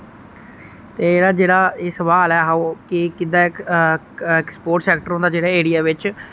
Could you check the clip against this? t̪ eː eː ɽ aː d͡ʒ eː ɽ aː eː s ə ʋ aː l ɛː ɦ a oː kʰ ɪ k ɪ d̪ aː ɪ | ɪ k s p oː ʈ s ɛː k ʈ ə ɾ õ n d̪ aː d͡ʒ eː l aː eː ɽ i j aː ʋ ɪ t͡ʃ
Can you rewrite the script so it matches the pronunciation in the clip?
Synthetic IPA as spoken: t̪ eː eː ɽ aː d͡ʒ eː ɽ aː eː s ə ʋ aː l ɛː ɦ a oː k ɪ k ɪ d̪ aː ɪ | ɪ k s p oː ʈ s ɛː k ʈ ə ɾ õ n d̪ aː d͡ʒ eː ɽ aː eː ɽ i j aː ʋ ɪ t͡ʃ